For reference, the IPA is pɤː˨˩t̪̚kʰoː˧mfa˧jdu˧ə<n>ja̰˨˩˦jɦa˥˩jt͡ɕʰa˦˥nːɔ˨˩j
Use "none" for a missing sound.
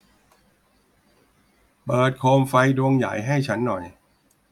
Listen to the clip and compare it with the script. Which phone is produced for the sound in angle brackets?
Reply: ŋ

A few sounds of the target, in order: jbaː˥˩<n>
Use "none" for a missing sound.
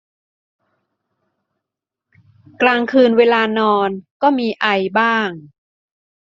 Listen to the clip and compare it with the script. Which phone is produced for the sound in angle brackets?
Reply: ŋ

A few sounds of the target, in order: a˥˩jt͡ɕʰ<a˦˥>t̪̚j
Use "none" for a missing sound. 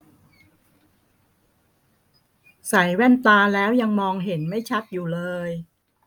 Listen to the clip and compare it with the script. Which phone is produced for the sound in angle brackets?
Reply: a˦˥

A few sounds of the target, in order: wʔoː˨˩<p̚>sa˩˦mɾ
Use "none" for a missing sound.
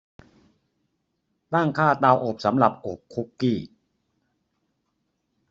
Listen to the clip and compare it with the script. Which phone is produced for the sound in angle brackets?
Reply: p̚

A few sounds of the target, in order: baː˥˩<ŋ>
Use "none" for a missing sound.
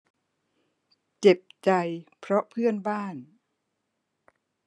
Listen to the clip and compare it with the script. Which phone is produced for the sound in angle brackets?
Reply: n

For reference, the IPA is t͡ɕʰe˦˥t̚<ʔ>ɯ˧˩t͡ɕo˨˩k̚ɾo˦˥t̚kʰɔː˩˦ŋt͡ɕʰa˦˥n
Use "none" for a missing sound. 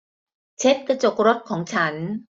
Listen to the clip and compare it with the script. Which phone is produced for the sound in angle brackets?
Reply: k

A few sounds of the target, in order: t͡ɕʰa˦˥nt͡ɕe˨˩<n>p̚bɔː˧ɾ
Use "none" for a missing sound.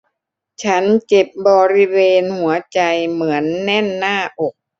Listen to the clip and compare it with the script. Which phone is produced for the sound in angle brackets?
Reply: none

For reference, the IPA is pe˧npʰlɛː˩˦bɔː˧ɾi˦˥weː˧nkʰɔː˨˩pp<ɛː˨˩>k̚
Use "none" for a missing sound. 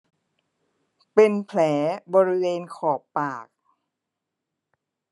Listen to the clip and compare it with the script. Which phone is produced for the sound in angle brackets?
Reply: aː˨˩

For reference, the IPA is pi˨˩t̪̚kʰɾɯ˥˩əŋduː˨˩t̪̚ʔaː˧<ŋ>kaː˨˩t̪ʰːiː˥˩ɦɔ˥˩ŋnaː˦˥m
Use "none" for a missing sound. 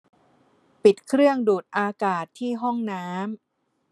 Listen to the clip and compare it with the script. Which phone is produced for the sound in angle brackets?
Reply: none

